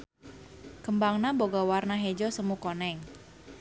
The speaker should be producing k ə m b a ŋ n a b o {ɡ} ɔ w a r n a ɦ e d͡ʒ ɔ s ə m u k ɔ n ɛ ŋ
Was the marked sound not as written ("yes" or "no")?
no